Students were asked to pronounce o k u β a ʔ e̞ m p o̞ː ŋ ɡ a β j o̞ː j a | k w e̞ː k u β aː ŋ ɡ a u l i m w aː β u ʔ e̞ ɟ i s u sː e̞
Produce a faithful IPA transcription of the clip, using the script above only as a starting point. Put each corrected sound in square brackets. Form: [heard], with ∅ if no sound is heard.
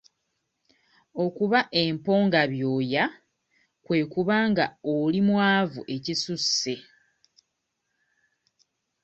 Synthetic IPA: o k u β a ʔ e̞ m p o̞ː ŋ ɡ a β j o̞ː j a | k w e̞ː k u β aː ŋ ɡ a [o] l i m w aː [v] u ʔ e̞ [c] i s u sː e̞

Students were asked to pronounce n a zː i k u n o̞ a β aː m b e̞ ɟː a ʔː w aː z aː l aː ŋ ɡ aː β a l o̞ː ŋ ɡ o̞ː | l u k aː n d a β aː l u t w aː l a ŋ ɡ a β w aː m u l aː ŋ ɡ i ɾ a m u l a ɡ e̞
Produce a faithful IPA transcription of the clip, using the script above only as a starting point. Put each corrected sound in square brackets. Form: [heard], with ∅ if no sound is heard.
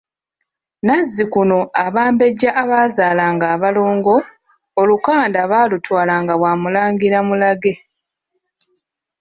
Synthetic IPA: n a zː i k u n o̞ a β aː m b e̞ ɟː a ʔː [β] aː z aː l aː ŋ ɡ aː β a l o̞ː ŋ ɡ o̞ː | l u k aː n d a β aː l u t w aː l a ŋ ɡ a β w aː m u l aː ŋ ɡ i ɾ a m u l a ɡ e̞

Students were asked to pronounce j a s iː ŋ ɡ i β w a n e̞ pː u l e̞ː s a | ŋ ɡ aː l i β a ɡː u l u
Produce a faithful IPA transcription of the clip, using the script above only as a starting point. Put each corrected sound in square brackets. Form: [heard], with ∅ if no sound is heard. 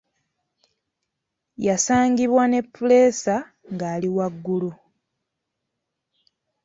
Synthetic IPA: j a s [aː] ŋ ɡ i β w a n e̞ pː u l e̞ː s a | ŋ ɡ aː l i [w] a ɡː u l u

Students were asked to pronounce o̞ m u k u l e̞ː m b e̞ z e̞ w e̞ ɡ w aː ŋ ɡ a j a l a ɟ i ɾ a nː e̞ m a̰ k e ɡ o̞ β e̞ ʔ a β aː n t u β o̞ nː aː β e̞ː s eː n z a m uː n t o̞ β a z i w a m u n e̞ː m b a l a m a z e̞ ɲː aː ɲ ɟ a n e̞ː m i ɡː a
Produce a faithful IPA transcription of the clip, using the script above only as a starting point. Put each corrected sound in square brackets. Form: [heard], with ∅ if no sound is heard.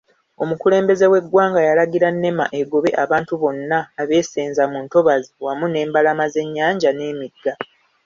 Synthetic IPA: o̞ m u k u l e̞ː m b e̞ z e̞ w e̞ ɡ w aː ŋ ɡ a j a l a [ɡ] i ɾ a nː e̞ m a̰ [ʔ] e ɡ o̞ β e̞ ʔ a β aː n t u β o̞ nː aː β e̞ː s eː n z a m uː n t o̞ β a z i w a m u n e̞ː m b a l a m a z e̞ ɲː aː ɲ ɟ a n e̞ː m i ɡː a

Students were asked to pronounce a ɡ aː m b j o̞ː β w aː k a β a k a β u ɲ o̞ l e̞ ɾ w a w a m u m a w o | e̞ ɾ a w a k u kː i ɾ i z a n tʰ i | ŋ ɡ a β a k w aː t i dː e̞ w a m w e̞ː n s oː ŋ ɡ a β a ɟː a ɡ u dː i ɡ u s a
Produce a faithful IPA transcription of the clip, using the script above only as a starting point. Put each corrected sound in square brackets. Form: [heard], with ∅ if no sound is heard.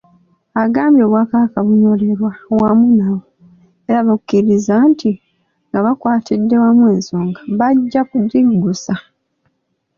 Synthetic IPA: a ɡ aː m b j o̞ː β w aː k a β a k a β u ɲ o̞ l e̞ ɾ w a w a m u [n] a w o | e̞ ɾ a [β] a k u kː i ɾ i z a n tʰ i | ŋ ɡ a β a k w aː t i dː e̞ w a m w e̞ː n s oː ŋ ɡ a β a ɟː a [k] u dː i ɡ u s a

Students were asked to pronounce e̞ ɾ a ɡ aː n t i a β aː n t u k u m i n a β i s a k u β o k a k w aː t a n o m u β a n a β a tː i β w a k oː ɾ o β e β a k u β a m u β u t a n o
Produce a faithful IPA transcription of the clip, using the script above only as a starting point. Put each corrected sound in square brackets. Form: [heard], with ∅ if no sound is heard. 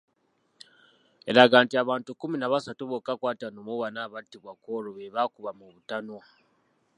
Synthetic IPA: e̞ ɾ a ɡ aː n t i a β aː n t u k u m i n a β [a] s a [t] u β o k a k w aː t a n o m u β a n a β a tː i β w a k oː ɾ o β e β a k u β a m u β u t a n o

